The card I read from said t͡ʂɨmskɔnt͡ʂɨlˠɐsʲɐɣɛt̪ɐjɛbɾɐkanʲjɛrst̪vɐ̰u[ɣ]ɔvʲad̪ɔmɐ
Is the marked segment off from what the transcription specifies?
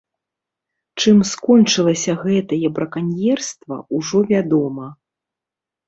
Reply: yes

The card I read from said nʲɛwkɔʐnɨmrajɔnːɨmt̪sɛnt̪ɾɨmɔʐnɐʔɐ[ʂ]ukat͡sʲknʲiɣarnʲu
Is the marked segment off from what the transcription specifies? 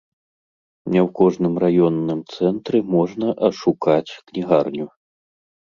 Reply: no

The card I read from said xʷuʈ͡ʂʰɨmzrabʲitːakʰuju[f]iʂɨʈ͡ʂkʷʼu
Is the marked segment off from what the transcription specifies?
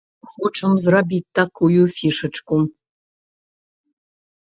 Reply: no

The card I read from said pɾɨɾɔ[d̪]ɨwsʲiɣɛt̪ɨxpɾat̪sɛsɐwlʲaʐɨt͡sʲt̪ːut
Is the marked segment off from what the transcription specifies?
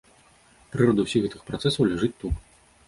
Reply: no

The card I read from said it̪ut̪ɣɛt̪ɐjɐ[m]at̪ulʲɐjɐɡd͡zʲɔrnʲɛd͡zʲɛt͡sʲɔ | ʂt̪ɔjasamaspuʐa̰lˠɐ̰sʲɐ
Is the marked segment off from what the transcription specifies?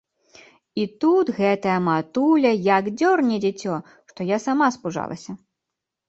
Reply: no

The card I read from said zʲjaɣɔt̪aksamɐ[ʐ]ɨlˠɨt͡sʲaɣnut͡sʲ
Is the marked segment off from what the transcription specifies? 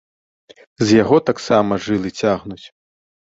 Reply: no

